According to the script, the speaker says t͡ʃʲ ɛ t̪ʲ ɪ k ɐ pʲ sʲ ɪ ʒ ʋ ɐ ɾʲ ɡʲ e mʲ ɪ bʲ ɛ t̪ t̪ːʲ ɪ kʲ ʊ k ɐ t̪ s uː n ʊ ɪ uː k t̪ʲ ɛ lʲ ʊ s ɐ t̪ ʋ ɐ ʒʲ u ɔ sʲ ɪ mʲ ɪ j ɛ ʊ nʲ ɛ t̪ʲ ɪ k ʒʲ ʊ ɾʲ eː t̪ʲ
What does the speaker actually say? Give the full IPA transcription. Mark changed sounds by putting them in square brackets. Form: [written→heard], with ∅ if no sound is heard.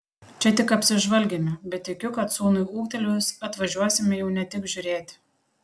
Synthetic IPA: t͡ʃʲ ɛ t̪ʲ ɪ k ɐ pʲ sʲ ɪ ʒ ʋ ɐ [ɾʲ→lʲ] ɡʲ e mʲ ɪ bʲ ɛ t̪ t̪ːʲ ɪ kʲ ʊ k ɐ t̪ s uː n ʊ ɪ uː k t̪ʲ ɛ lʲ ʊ s ɐ t̪ ʋ ɐ ʒʲ u ɔ sʲ ɪ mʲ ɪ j ɛ ʊ nʲ ɛ t̪ʲ ɪ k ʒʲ ʊ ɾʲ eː t̪ʲ